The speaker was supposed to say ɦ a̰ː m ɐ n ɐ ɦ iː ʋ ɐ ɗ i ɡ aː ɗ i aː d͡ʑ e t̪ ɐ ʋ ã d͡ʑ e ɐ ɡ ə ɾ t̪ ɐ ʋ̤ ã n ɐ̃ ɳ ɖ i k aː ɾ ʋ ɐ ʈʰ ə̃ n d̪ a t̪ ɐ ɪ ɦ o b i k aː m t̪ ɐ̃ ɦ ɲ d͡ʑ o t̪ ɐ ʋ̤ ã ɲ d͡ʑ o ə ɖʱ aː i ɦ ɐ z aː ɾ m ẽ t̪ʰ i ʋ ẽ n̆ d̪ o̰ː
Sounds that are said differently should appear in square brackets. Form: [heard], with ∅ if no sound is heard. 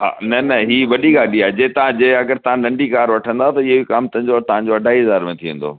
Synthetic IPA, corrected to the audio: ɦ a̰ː [n] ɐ n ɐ ɦ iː ʋ ɐ ɗ i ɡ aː ɗ i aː d͡ʑ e t̪ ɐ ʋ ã d͡ʑ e ɐ ɡ ə ɾ t̪ ɐ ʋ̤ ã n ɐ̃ ɳ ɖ i k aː ɾ ʋ ɐ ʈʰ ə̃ n d̪ a t̪ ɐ ɪ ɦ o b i k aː m t̪ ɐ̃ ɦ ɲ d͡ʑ o t̪ ɐ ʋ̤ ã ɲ d͡ʑ o [ɐ] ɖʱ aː i ɦ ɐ z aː ɾ m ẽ t̪ʰ i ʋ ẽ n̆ d̪ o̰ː